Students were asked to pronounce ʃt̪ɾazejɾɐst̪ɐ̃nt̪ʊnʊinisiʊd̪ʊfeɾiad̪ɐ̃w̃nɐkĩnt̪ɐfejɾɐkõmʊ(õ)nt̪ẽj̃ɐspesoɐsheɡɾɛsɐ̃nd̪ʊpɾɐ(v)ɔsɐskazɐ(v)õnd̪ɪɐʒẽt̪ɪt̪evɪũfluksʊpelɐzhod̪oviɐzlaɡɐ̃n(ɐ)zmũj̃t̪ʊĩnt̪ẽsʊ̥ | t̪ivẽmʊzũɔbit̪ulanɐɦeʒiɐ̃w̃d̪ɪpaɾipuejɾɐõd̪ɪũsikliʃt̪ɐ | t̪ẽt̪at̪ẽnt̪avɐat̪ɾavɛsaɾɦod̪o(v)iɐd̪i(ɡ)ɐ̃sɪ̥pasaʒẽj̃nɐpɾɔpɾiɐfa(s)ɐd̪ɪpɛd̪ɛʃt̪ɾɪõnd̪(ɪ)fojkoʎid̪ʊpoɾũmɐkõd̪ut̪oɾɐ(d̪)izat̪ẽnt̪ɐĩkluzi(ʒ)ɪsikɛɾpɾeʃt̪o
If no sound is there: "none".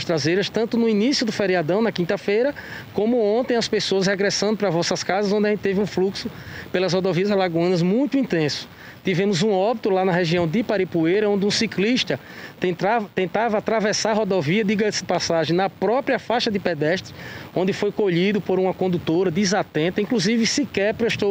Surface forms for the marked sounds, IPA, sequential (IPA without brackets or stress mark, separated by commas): õ, v, z, ɐ, v, ɡ, ʃ, ɪ, d̪, v